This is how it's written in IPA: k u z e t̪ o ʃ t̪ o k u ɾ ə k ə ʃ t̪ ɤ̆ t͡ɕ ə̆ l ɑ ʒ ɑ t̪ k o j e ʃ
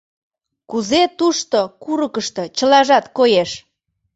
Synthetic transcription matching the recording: k u z e t̪ u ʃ t̪ o k u ɾ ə k ə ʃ t̪ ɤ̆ t͡ɕ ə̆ l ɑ ʒ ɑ t̪ k o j e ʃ